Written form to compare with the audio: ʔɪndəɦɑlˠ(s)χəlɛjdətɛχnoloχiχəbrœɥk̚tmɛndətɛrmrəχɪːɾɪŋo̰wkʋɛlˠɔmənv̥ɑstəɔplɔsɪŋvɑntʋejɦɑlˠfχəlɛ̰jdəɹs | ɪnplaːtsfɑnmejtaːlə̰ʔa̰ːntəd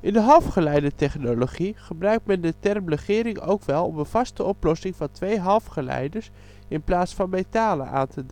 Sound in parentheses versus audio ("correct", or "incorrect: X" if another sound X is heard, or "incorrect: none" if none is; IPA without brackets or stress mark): incorrect: f